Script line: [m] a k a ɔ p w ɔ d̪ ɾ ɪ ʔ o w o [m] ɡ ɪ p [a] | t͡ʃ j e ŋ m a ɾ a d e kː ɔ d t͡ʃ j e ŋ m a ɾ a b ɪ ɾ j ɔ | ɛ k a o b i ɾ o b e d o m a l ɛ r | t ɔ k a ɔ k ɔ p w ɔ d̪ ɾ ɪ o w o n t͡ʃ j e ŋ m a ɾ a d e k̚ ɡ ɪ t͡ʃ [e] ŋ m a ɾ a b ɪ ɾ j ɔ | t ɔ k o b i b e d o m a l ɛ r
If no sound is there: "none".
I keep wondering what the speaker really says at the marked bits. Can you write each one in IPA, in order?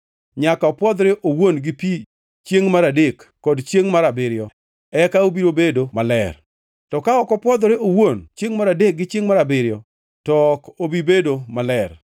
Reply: ɲ, n, i, e

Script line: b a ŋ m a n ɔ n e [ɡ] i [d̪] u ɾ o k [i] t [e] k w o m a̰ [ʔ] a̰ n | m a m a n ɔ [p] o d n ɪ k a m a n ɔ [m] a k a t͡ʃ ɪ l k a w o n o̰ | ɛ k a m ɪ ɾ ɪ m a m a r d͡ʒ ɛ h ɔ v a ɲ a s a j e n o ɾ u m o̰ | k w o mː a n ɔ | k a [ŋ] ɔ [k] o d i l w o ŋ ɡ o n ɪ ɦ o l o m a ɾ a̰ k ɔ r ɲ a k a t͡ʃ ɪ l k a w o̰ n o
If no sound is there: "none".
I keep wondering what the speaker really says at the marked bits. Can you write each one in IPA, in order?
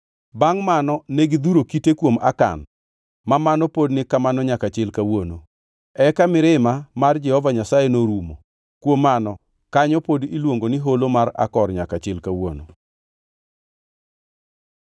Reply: ɡ, d̪, i, e, k, p, ɲ, ɲ, p

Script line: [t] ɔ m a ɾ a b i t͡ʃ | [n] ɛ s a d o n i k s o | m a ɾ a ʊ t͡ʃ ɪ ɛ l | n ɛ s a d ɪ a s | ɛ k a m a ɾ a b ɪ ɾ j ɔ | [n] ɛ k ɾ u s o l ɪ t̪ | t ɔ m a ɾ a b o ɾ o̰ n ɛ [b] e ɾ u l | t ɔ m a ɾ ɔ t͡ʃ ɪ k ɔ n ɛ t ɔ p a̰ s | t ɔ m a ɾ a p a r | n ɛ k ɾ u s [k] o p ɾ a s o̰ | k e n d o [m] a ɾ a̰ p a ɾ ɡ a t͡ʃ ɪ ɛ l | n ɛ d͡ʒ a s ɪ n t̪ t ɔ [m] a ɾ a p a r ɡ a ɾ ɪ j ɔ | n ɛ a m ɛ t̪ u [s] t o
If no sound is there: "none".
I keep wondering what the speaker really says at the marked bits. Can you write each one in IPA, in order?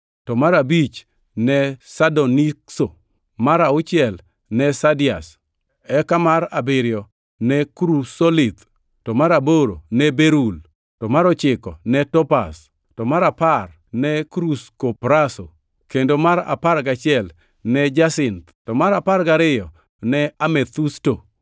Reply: t, n, n, b, k, m, m, s

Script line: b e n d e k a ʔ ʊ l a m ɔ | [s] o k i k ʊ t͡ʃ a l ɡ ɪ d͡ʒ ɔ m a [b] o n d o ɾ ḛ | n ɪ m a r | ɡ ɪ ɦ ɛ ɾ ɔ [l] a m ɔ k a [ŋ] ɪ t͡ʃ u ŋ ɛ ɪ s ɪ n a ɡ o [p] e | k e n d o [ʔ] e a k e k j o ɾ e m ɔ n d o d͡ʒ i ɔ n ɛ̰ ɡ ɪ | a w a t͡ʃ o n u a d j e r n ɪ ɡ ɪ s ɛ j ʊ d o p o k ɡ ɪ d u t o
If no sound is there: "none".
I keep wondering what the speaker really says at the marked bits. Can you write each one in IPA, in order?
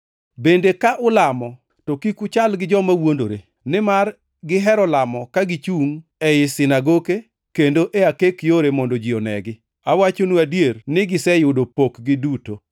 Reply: t, w, l, ɡ, k, ʔ

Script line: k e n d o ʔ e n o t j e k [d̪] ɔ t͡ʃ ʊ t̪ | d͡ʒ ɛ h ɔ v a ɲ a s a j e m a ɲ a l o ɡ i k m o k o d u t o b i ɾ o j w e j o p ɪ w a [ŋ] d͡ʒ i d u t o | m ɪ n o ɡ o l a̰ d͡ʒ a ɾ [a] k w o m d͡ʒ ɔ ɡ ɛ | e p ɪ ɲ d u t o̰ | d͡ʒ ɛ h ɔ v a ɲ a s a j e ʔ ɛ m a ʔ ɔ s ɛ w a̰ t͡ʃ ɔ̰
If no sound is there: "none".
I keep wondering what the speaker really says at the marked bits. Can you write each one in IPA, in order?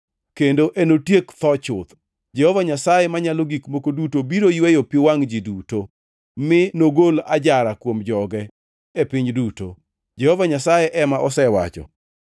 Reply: t̪, ŋ, a

